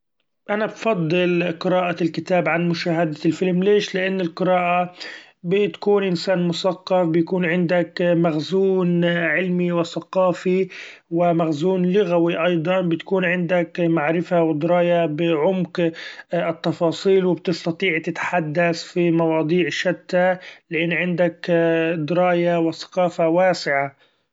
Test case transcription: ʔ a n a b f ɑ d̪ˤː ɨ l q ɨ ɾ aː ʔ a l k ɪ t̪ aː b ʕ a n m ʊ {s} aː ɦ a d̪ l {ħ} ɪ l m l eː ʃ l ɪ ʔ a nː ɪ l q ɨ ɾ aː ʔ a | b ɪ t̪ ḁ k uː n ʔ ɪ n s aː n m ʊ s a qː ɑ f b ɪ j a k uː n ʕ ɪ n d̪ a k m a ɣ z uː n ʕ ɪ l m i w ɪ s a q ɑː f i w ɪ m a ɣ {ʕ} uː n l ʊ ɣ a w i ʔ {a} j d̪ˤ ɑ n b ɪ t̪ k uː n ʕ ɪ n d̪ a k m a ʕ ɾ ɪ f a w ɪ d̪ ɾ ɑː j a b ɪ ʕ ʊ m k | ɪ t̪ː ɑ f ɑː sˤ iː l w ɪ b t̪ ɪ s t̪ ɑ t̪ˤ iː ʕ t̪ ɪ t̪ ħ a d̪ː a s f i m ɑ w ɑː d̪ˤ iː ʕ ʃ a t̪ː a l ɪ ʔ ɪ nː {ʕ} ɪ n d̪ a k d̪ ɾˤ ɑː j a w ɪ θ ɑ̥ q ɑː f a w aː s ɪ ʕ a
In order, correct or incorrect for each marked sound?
incorrect: ʃ, incorrect: f, incorrect: z, incorrect: ɑ, correct

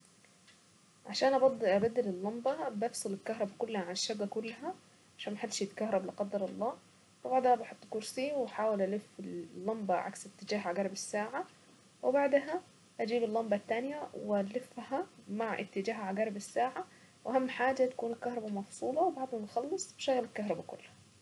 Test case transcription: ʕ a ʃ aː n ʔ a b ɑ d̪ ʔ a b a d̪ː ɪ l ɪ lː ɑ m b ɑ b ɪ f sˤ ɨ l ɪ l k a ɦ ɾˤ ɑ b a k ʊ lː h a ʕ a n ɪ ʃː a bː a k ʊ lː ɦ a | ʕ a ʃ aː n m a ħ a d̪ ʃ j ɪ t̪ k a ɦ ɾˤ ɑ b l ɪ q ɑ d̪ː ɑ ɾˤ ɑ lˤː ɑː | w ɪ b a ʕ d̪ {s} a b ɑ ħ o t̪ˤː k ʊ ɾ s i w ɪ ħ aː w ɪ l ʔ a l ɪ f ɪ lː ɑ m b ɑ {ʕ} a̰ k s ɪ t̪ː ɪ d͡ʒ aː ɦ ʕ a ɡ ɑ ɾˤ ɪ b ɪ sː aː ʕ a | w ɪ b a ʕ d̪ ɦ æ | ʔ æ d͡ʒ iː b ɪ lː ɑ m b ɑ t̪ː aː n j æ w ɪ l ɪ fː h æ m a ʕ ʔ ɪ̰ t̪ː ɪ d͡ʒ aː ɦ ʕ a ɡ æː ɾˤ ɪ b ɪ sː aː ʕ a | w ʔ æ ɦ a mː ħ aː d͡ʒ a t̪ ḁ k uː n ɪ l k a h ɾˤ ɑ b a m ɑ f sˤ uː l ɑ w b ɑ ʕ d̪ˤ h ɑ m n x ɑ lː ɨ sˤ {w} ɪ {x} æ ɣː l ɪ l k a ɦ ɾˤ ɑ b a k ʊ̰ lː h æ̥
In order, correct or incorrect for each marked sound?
incorrect: h, correct, incorrect: b, incorrect: ʃ

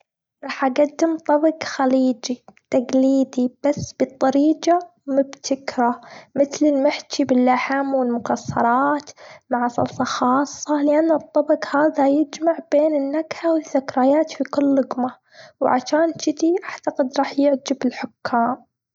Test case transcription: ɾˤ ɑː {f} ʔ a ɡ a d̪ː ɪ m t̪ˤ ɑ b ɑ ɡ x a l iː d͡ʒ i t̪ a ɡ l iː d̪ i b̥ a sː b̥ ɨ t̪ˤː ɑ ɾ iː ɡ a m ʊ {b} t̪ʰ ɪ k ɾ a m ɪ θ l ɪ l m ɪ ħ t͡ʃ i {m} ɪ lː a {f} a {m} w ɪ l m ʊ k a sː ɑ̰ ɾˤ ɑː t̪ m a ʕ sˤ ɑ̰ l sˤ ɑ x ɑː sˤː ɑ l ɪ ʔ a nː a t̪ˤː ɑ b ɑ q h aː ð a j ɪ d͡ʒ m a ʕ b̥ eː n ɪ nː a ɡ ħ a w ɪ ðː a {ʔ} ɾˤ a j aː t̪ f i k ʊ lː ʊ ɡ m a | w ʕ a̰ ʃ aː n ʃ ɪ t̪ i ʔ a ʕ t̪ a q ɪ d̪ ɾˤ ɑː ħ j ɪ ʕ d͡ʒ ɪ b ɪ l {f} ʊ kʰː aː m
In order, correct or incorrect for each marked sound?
incorrect: ħ, correct, incorrect: b, incorrect: ħ, correct, incorrect: k, incorrect: ħ

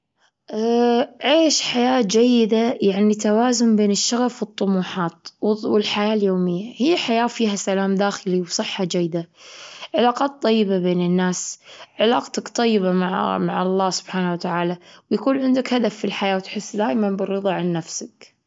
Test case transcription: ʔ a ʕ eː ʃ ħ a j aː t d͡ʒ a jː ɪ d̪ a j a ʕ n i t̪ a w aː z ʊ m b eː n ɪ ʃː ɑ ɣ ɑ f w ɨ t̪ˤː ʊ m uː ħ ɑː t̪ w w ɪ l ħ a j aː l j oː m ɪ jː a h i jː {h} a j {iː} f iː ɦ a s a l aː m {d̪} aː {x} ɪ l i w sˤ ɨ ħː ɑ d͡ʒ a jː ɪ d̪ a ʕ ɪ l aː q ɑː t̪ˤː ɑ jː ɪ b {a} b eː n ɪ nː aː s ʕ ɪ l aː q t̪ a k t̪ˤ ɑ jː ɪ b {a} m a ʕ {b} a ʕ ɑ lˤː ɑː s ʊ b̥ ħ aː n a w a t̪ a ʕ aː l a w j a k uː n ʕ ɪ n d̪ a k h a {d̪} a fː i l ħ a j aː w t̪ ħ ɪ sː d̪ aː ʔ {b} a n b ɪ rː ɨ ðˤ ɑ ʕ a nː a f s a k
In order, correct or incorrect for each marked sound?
incorrect: ħ, incorrect: aː, correct, correct, correct, correct, incorrect: m, correct, incorrect: m

